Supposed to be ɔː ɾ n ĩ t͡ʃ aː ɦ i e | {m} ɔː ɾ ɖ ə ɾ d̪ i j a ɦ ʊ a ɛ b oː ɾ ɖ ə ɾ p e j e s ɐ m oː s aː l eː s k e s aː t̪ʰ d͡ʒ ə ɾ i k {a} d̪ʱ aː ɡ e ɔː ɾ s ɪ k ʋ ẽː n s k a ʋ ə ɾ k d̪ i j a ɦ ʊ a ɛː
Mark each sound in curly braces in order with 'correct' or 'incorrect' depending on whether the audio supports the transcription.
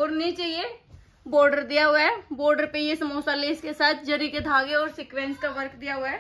incorrect: b, incorrect: e

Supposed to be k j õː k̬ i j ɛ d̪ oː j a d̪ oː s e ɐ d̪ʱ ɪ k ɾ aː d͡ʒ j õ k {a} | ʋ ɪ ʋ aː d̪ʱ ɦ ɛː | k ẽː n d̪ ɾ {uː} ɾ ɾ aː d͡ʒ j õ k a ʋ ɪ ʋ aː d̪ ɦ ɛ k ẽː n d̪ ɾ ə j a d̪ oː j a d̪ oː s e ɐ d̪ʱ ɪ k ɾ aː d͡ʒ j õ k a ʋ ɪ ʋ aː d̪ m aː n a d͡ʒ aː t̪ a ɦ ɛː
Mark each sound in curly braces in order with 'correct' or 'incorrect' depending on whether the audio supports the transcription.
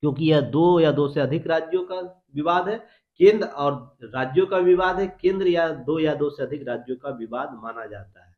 correct, incorrect: ɔː

